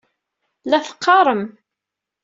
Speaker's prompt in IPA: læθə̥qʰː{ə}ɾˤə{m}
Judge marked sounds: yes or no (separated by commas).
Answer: no, yes